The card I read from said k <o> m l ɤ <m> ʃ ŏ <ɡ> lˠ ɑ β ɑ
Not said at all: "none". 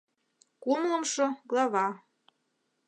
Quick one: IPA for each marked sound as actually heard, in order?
u, m, ɡ

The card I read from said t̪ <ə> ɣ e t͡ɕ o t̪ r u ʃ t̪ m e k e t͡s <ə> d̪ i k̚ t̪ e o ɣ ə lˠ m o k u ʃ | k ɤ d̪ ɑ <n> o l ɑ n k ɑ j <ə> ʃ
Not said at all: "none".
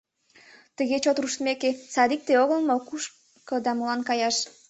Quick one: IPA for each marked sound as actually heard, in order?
ə, ɑ, m, ɑ

